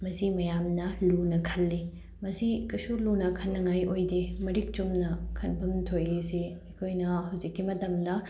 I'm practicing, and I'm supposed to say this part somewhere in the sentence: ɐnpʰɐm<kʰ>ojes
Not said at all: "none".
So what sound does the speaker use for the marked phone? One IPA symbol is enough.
tʰ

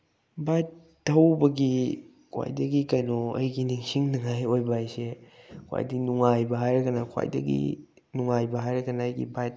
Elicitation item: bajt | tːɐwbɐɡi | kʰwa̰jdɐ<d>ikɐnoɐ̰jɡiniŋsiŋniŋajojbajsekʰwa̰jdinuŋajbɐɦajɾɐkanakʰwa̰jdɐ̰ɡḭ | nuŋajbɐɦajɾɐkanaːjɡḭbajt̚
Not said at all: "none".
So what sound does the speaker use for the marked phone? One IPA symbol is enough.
ɡ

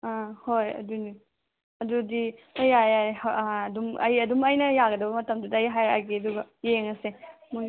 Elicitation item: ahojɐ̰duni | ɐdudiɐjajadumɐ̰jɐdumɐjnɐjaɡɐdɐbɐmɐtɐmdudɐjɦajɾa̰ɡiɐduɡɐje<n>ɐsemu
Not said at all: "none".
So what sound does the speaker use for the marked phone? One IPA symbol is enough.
ŋ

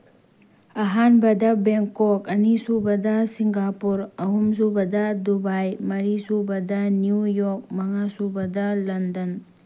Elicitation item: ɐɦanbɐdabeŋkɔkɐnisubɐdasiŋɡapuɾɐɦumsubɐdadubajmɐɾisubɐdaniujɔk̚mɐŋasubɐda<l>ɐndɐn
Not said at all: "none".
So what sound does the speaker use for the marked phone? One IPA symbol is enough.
l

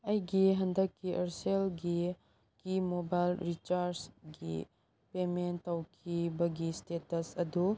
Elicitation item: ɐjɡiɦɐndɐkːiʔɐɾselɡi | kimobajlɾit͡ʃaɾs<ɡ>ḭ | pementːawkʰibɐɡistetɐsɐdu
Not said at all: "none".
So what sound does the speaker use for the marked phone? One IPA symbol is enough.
ɡ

